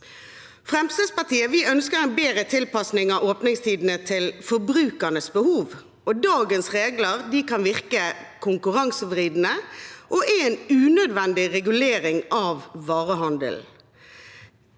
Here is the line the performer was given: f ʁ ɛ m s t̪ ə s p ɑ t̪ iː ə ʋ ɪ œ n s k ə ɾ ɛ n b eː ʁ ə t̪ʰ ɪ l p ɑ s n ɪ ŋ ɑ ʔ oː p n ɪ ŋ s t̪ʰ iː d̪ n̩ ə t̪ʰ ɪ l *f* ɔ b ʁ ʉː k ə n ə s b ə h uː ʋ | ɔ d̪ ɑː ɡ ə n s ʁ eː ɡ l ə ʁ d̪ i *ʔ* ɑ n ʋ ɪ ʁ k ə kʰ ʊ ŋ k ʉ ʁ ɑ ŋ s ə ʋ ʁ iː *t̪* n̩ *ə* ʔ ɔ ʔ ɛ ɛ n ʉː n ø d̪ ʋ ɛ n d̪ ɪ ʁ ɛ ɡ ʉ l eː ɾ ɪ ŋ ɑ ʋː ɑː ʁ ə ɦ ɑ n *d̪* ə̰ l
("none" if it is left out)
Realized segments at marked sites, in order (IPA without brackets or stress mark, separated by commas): f, k, d̪, ə, d̪